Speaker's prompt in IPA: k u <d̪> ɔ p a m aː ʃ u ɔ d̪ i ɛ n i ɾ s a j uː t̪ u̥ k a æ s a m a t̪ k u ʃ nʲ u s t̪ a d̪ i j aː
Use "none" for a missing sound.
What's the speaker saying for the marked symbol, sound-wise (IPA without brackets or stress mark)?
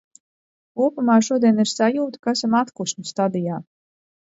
none